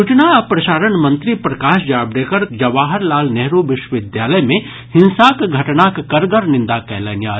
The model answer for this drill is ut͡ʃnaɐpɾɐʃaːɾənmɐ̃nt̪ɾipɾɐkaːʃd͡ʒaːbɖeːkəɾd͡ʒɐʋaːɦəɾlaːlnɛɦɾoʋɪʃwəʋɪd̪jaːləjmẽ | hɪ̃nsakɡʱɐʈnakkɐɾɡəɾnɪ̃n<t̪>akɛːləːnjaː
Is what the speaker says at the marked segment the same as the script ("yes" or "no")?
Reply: no